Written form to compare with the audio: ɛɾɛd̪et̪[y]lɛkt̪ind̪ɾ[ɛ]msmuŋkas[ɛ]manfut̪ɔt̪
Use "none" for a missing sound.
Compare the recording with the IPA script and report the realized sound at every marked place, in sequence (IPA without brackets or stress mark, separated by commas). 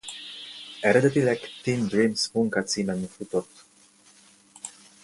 i, i, i